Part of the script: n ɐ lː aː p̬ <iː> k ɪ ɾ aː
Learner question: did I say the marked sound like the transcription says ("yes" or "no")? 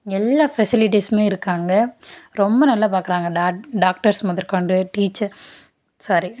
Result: no